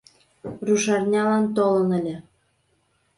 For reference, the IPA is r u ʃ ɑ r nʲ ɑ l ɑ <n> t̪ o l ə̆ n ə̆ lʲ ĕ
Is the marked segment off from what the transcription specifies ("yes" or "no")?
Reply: no